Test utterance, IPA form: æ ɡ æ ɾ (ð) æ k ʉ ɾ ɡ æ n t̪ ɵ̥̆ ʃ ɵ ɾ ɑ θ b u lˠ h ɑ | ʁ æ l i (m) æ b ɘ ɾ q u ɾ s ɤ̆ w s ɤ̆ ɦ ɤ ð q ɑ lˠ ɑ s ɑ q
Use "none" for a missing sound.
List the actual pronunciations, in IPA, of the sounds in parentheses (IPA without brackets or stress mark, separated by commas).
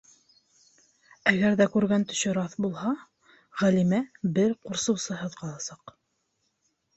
ð, m